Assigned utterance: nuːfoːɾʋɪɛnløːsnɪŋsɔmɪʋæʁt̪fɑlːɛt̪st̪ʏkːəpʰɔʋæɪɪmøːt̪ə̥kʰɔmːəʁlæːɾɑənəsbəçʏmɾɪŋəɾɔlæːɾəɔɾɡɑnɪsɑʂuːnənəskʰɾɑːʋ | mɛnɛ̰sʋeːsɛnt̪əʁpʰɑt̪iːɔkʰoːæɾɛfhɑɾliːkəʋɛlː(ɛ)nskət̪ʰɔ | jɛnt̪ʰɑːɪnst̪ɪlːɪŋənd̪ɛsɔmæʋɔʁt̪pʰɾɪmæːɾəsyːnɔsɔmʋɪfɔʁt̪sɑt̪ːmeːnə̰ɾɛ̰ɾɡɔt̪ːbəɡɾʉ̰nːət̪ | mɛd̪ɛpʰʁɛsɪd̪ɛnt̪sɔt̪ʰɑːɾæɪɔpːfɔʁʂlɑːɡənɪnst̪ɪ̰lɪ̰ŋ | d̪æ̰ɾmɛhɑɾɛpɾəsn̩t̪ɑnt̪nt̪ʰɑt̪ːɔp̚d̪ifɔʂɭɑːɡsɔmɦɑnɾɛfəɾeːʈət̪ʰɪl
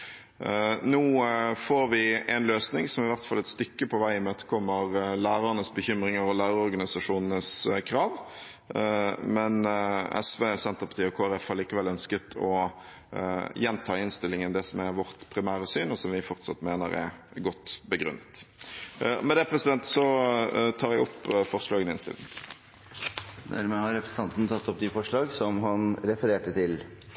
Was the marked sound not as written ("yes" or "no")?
yes